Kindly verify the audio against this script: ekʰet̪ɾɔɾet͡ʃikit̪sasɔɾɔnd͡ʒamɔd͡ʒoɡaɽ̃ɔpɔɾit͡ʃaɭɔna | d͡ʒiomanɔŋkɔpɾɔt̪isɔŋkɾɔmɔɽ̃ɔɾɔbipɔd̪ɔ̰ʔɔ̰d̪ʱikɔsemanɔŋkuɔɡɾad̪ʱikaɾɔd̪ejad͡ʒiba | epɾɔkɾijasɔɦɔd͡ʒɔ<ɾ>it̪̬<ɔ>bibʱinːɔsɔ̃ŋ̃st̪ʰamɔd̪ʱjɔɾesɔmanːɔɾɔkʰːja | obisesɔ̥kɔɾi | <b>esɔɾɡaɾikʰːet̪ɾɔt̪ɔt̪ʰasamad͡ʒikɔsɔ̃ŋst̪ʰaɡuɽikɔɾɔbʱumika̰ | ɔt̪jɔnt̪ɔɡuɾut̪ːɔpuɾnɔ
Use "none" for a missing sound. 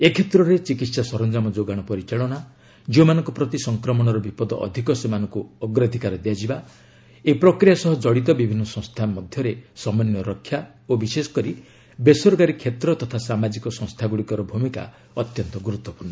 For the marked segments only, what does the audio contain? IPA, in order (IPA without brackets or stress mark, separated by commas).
ɽ, ɔ, b